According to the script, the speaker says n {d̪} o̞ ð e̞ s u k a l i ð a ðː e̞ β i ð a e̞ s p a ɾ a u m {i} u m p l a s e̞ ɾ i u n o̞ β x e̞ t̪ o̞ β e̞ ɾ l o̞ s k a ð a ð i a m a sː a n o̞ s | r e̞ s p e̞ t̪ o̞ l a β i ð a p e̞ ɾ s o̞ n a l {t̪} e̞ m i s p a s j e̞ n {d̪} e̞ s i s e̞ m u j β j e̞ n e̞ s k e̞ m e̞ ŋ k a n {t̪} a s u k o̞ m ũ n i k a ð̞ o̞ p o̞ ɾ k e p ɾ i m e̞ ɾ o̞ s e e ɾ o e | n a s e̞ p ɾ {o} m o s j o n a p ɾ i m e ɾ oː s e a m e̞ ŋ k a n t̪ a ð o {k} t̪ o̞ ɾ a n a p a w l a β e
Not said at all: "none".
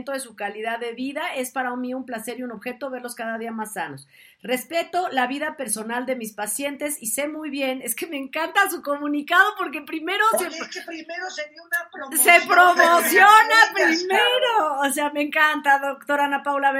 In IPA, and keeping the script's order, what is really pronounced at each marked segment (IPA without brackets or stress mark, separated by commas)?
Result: t̪, i, d̪, t̪, t̪, o, k